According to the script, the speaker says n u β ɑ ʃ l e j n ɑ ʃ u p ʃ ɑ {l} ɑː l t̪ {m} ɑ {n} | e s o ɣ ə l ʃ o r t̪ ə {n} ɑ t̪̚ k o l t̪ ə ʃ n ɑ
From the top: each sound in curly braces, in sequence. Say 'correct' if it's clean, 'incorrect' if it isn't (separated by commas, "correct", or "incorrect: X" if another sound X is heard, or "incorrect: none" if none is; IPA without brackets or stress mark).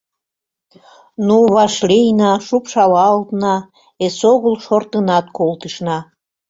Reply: correct, incorrect: n, incorrect: none, correct